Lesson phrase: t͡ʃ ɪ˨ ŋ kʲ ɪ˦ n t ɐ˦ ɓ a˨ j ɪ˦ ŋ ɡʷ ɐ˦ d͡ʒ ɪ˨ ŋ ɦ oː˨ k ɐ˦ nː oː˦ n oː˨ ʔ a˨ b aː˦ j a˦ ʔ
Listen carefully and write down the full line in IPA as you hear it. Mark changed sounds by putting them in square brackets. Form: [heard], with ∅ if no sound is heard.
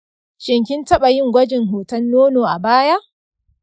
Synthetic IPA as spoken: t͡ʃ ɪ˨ ŋ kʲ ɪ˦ n t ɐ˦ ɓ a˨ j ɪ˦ ŋ ɡʷ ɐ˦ d͡ʒ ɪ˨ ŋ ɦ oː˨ [t] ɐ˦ nː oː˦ n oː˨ ʔ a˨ b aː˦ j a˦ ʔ